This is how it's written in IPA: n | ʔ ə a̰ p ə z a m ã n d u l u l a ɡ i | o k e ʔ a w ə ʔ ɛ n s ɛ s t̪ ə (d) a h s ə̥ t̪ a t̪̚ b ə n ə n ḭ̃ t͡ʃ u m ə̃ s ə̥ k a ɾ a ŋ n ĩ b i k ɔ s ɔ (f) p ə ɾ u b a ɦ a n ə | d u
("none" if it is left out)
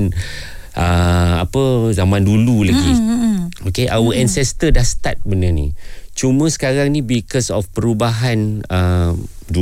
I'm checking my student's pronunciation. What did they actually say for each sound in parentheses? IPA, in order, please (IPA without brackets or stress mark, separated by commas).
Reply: d, f